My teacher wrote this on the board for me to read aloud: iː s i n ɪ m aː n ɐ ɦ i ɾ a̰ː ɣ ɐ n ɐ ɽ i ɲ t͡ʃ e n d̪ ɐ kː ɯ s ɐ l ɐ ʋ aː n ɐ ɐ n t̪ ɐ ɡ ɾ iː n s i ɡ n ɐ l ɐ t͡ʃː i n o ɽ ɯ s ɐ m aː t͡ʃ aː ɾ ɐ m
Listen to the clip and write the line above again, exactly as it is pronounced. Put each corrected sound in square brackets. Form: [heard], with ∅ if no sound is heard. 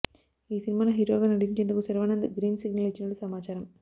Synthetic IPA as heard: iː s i n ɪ m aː n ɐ ɦ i ɾ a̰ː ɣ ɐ n ɐ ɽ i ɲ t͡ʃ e n d̪ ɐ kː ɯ s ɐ [ɾ] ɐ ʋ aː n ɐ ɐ n [d̪] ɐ ɡ ɾ iː n s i ɡ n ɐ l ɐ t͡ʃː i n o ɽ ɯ s ɐ m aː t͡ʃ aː ɾ ɐ m